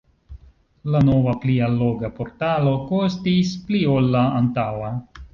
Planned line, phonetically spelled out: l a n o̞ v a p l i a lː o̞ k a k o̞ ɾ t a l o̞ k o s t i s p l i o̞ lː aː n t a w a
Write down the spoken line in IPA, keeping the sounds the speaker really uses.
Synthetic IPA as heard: l a n o̞ v a p l i a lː o̞ ɡ a p o̞ ɾ t a l o̞ k o s t i s p l i o̞ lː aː n t a w a